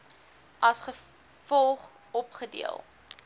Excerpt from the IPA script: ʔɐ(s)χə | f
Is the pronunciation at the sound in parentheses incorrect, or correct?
correct